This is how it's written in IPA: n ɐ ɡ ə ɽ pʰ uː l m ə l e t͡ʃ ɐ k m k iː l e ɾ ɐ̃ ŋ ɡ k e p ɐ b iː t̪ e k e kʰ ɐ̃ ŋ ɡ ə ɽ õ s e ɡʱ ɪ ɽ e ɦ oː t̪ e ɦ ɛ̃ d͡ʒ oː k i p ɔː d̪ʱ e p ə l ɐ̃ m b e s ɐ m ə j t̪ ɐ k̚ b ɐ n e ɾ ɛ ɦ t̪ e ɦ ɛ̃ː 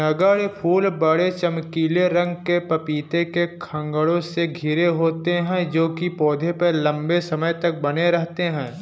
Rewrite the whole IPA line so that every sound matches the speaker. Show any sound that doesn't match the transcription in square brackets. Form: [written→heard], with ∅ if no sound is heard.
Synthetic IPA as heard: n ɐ ɡ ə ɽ pʰ uː l [m→b] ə [l→ɽ] e t͡ʃ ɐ [k→∅] m k iː l e ɾ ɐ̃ ŋ ɡ k e p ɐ [b→p] iː t̪ e k e kʰ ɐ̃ ŋ ɡ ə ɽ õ s e ɡʱ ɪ [ɽ→ɾ] e ɦ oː t̪ e ɦ ɛ̃ d͡ʒ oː k i p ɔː d̪ʱ e p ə l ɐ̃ m b e s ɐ m ə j t̪ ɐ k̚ b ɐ n e ɾ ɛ ɦ t̪ e ɦ ɛ̃ː